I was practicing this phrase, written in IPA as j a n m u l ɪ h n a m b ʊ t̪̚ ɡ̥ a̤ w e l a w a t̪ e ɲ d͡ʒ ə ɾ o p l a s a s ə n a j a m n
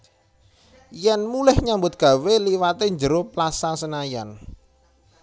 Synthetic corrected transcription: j ɛ n m u l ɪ h ɲ a m b ʊ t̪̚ ɡ̥ a̤ w e l i w a t̪ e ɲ d͡ʒ ə ɾ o p l a s a s ə n a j a n